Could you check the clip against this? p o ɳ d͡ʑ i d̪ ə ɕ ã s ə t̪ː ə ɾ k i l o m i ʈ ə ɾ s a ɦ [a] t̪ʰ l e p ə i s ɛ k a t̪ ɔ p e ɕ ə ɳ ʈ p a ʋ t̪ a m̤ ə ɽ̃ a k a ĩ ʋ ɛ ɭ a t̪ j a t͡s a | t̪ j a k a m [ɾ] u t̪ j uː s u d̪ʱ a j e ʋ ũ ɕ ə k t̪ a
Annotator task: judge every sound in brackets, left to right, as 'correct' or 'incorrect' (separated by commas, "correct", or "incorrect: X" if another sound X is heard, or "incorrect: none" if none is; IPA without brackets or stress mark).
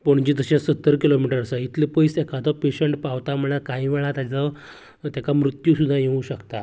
incorrect: i, correct